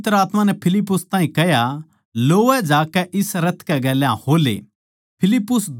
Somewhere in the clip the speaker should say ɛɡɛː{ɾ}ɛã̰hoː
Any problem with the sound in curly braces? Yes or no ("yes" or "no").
yes